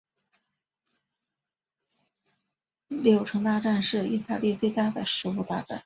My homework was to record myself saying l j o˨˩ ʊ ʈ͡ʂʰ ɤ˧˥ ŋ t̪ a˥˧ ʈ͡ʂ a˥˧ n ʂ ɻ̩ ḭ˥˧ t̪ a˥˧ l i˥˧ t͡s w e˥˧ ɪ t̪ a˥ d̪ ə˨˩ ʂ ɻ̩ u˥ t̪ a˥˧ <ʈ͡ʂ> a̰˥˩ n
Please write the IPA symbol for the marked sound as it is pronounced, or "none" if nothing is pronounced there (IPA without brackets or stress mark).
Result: ʈ͡ʂ